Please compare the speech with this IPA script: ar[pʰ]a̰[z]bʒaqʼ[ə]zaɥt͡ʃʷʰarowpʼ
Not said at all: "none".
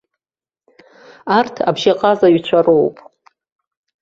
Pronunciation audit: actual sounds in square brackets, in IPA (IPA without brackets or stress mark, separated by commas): tʰ, none, a